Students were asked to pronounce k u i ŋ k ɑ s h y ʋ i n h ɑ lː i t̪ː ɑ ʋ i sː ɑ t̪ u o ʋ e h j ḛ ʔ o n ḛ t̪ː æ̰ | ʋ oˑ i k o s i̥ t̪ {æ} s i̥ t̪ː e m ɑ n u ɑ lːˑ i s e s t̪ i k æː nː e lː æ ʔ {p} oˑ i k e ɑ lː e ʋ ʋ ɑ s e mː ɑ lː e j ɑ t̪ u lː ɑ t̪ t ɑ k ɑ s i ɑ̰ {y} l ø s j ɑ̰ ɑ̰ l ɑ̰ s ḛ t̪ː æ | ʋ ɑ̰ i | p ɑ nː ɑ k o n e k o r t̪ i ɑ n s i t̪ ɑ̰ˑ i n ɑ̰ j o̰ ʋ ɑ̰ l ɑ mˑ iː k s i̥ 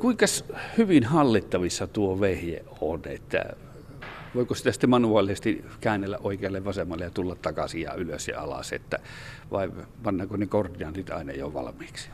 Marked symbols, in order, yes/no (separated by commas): yes, no, yes